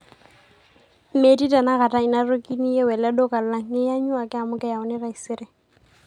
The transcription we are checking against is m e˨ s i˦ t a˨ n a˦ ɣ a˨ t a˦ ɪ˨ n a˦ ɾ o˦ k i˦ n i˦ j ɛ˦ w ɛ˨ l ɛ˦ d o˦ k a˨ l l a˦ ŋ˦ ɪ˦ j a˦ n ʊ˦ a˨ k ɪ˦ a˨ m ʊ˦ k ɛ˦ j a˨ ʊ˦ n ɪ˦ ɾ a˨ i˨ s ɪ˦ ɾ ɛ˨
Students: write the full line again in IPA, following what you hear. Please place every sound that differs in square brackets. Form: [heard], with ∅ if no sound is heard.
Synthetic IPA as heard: m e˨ [t] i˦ t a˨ n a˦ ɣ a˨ t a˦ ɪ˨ n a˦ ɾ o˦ k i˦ n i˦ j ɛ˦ w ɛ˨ l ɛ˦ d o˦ k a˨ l l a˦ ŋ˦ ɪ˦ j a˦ [ɲ] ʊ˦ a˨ k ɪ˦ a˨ m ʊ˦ k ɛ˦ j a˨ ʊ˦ n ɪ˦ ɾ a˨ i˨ s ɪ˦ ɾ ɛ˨